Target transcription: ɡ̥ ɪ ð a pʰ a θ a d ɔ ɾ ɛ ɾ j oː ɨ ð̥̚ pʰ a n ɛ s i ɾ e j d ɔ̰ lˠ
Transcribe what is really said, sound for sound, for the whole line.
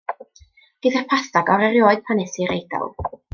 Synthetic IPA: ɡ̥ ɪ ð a pʰ a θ a ɡ ɔ ɾ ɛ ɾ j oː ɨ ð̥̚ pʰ a n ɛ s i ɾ e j d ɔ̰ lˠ